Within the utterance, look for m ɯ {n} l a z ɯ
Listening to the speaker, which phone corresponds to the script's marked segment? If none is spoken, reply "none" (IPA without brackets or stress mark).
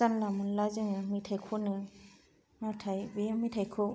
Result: n